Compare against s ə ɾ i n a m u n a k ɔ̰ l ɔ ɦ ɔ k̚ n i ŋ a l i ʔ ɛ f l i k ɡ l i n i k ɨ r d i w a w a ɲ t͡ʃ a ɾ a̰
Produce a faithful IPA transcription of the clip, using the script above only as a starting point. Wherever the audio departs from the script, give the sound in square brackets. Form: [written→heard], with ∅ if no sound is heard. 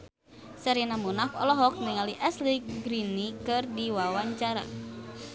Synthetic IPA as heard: s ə ɾ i n a m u n a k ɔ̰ l ɔ ɦ ɔ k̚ n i ŋ a l i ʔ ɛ [f→s] l i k ɡ [l→ɾ] i n i k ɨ r d i w a w a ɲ t͡ʃ a ɾ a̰